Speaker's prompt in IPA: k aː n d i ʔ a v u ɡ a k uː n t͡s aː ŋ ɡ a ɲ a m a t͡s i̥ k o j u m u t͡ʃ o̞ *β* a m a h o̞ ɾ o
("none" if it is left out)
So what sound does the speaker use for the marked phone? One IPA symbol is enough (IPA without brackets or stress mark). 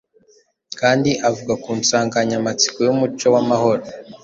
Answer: w